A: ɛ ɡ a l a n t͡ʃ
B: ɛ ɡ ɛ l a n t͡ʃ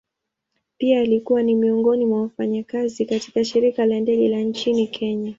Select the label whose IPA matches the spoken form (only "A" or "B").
B